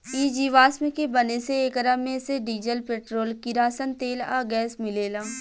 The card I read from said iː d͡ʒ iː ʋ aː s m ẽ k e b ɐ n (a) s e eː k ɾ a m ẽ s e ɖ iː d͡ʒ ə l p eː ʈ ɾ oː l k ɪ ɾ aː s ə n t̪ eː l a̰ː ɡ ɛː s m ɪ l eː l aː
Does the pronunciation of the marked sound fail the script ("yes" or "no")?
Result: yes